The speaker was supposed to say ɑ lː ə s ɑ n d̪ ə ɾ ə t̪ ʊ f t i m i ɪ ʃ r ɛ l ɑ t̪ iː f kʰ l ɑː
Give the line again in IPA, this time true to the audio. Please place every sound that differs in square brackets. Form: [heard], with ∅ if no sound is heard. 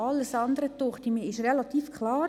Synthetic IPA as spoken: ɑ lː ə s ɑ n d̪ ə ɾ ə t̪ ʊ [χ] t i m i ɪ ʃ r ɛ l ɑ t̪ iː f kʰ l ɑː